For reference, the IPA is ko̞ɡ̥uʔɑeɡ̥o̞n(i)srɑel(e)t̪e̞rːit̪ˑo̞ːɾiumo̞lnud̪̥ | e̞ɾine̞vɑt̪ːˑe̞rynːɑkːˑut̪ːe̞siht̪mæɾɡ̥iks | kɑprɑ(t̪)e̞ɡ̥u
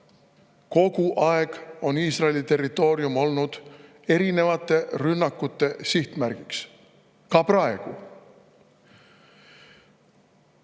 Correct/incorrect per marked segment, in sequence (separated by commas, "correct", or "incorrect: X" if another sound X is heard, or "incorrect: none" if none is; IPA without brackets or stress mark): incorrect: iː, incorrect: i, incorrect: none